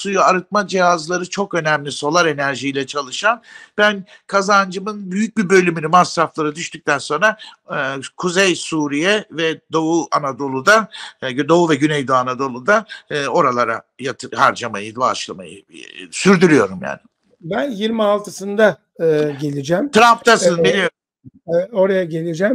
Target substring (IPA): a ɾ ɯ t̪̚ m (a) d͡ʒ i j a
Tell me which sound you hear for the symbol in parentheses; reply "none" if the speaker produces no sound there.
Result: a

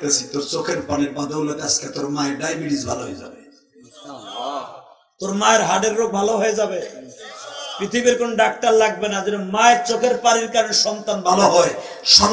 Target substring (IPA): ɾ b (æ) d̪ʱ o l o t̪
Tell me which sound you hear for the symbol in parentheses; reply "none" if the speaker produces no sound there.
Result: a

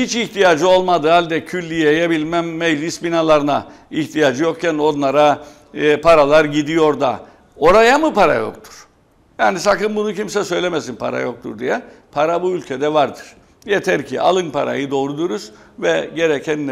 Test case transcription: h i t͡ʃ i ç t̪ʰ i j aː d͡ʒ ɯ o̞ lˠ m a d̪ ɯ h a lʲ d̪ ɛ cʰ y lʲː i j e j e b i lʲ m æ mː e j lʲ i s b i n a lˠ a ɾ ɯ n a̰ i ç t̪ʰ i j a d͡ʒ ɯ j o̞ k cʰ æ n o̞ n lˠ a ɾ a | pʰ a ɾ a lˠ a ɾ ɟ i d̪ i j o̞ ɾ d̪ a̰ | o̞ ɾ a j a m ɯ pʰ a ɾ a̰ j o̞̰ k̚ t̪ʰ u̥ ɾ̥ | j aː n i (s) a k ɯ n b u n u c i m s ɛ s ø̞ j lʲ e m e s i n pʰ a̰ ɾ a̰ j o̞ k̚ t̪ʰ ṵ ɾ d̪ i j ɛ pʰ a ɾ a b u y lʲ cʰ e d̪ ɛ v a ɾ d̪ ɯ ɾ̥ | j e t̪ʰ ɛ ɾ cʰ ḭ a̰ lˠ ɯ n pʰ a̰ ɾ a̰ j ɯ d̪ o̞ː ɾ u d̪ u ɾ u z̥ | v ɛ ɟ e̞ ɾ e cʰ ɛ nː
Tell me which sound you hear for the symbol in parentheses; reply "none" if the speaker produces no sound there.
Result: s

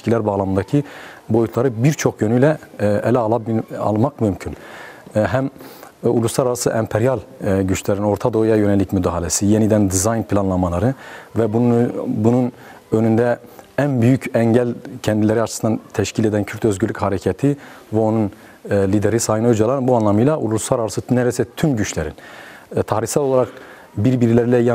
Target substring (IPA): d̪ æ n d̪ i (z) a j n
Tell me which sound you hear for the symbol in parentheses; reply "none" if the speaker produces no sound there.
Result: z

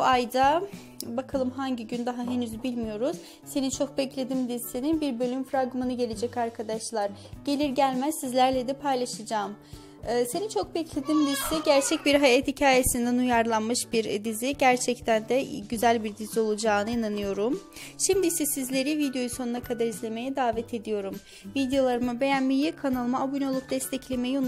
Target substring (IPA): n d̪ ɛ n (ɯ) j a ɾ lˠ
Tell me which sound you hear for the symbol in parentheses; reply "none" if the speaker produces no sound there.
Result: u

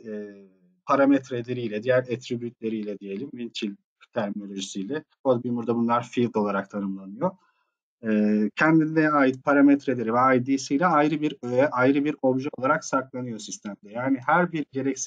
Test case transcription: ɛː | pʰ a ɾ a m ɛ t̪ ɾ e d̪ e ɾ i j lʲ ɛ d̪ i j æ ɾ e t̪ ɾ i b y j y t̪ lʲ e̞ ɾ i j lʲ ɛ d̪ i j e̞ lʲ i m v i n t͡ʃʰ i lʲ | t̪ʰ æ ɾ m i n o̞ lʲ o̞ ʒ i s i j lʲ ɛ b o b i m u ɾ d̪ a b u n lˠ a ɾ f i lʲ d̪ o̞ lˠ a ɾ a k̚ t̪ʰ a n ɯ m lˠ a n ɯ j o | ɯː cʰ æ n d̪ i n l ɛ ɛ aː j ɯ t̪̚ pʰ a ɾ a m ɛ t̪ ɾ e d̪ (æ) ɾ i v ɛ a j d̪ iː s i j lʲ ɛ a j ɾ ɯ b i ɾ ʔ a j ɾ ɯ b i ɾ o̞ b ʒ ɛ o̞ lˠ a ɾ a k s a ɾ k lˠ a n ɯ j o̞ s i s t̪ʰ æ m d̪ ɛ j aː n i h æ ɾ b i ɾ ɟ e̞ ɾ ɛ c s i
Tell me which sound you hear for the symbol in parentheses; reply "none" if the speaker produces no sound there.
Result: e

